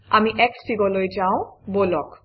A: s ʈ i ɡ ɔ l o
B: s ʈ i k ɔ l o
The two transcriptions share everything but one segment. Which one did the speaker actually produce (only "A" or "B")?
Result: A